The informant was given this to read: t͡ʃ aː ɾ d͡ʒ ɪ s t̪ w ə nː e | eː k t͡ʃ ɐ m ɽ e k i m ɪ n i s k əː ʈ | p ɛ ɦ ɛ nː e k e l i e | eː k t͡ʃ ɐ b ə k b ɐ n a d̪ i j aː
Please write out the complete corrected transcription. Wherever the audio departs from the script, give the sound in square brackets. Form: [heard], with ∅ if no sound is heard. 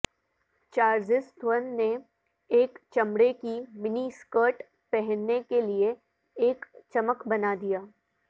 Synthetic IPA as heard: t͡ʃ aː ɾ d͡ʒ ɪ s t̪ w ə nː e | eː k t͡ʃ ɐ m ɽ e k i m ɪ n i s k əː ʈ | p ɛ ɦ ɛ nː e k e l i e | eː k t͡ʃ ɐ [m] ə k b ɐ n a d̪ i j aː

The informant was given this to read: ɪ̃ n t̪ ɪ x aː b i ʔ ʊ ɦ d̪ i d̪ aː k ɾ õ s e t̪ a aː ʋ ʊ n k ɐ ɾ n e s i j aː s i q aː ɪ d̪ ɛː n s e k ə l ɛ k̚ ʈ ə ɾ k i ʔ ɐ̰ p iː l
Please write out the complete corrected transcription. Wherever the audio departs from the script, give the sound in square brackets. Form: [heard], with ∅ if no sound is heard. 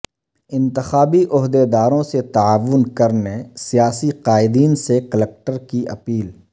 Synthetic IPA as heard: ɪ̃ n t̪ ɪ x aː b i ʔ ʊ ɦ d̪ [e] d̪ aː [∅] ɾ õ s e t̪ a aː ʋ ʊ n k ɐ ɾ n e s i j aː s i q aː ɪ d̪ [iː] n s e k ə l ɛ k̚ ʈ ə ɾ k i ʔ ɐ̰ p iː l

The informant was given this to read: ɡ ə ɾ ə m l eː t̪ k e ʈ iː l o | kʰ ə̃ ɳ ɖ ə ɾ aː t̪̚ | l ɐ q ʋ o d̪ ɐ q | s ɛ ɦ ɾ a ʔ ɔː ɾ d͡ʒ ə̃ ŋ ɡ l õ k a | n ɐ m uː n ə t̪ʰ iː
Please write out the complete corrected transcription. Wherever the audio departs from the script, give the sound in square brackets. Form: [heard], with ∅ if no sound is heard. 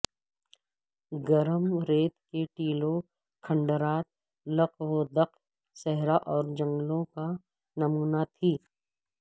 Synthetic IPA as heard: ɡ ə ɾ ə m [ɾ] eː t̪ k e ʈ iː l o | kʰ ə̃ ɳ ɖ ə ɾ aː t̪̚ | l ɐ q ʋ o d̪ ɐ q | s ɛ ɦ ɾ a ʔ ɔː ɾ d͡ʒ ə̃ ŋ ɡ l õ k a | n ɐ m uː n [a] t̪ʰ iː

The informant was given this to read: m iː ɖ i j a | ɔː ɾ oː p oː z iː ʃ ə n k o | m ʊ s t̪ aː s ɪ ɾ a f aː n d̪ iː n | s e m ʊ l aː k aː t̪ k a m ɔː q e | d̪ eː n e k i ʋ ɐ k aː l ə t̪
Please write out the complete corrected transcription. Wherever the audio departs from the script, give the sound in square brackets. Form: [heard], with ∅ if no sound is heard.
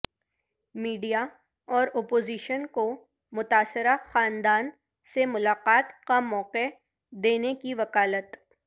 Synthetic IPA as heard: m iː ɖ i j a | ɔː ɾ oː p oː z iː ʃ ə n k o | m ʊ [∅] t̪ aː s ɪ ɾ a [x] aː n d̪ [aː] n | s e m ʊ l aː [q] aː t̪ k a m ɔː q e | d̪ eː n e k i ʋ ɐ k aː l ə t̪

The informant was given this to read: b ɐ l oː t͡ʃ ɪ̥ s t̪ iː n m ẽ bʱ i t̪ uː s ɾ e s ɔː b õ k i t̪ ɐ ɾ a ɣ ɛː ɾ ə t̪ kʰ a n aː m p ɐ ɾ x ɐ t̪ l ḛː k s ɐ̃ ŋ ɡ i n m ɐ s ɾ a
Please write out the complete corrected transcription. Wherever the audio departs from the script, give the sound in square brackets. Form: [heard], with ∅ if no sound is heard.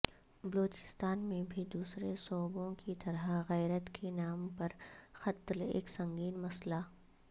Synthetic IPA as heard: b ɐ l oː t͡ʃ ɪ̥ s t̪ [aː] n m ẽ bʱ i [d̪] uː s ɾ e s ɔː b õ k i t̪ ɐ ɾ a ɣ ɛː ɾ ə t̪ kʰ [e] n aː m p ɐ ɾ x ɐ t̪ l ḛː k s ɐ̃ ŋ ɡ [iː] n m ɐ s [l] a

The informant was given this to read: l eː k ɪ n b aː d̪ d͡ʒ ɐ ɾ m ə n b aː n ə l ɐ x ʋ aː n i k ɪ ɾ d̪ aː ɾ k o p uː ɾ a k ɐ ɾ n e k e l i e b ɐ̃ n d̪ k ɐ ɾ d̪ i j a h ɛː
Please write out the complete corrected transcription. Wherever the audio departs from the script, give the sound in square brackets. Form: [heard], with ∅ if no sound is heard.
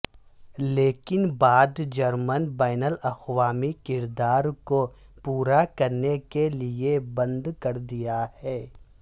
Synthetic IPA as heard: l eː k ɪ n b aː d̪ d͡ʒ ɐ ɾ m ə n b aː n ə l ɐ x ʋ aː [m] i k ɪ ɾ d̪ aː ɾ k o p uː ɾ a k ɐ ɾ n e k e l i e b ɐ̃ n d̪ k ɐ ɾ d̪ i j a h ɛː

